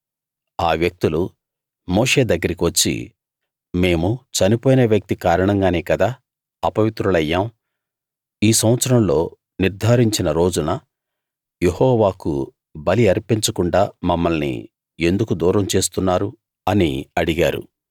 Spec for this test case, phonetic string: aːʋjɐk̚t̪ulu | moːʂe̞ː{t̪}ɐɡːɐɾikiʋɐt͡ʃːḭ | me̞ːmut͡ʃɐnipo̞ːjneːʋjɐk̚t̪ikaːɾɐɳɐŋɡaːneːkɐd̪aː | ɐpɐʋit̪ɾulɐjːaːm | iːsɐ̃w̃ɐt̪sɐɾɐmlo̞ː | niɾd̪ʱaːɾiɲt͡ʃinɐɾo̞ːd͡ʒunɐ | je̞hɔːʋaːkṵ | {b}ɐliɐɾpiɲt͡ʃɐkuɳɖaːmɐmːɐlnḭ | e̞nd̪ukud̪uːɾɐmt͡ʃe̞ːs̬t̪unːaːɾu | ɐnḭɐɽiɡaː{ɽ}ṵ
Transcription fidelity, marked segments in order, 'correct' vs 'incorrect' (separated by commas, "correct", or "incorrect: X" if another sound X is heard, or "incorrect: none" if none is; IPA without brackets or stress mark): incorrect: d̪, correct, incorrect: ɾ